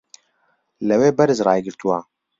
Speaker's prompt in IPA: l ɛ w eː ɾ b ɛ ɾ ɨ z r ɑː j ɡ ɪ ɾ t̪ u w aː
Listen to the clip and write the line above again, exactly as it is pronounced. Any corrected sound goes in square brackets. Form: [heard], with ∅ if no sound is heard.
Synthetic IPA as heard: l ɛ w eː [∅] b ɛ ɾ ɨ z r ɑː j ɡ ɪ ɾ t̪ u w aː